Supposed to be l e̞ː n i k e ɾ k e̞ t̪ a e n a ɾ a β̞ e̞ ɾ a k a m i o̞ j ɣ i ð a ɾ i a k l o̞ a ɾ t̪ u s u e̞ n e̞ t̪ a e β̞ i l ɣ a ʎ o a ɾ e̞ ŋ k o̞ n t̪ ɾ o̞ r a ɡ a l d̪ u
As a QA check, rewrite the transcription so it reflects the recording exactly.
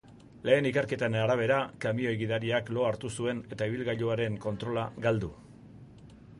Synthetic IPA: l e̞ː n i k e ɾ k e̞ t̪ a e n a ɾ a β̞ e̞ ɾ a k a m i o̞ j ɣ i ð a ɾ i a k l o̞ a ɾ t̪ u s u e̞ n e̞ t̪ a i β̞ i l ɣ a ʎ o a ɾ e̞ ŋ k o̞ n t̪ ɾ o̞ l a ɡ a l d̪ u

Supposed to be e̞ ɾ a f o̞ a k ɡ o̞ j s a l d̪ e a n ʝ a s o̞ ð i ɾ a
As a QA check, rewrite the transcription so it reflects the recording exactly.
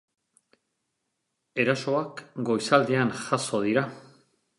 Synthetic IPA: e̞ ɾ a s o̞ a k ɡ o̞ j s a l d̪ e a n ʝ a s o̞ ð i ɾ a

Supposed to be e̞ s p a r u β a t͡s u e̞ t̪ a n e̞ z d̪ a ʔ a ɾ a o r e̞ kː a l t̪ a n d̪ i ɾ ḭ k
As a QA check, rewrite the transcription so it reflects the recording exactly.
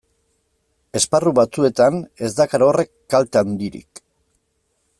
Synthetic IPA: e̞ s p a r u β a t͡s u e̞ t̪ a n e̞ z d̪ a k a ɾ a o r e̞ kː a l t̪ a n d̪ i ɾ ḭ k

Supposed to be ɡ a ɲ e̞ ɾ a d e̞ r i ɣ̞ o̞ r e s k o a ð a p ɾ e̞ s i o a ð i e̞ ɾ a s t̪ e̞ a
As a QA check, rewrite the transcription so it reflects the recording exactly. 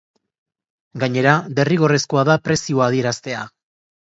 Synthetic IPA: ɡ a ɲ e̞ ɾ a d e̞ r i ɣ̞ o̞ r e s k o a ð a p ɾ e̞ s i o a ð i e̞ ɾ a s t̪ e̞ a

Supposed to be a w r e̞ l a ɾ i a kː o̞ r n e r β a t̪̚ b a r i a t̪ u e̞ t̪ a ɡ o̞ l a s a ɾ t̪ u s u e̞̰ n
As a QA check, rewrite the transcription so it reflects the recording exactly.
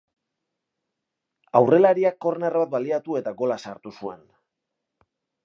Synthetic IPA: a w r e̞ l a ɾ i a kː o̞ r n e r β a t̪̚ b a l i a t̪ u e̞ t̪ a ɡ o̞ l a s a ɾ t̪ u s u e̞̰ n

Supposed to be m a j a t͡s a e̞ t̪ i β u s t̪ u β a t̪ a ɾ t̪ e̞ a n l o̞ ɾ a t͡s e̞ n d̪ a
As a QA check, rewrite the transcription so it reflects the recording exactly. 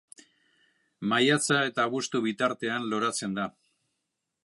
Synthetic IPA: m a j a t͡s a e̞ t̪ a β u s t̪ u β i t̪ a ɾ t̪ e̞ a n l o̞ ɾ a t͡s e̞ n d̪ a

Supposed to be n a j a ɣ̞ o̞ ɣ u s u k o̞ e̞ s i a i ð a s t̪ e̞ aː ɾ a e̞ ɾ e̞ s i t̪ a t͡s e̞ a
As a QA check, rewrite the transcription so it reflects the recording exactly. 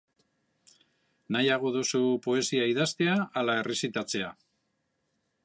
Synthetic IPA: n a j a ɣ̞ o̞ ð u s u p o̞ e̞ s i a i ð a s t̪ e̞ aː l a e̞ r e̞ s i t̪ a t͡s e̞ a

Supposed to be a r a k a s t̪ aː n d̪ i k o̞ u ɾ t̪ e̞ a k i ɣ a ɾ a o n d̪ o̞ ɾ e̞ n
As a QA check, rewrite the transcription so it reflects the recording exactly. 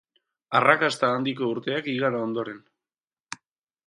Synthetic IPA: a r a k a s t̪ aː n d̪ i k o̞ u ɾ t̪ e̞ a k i ɣ a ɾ a o n d̪ o̞ ɾ e̞ n

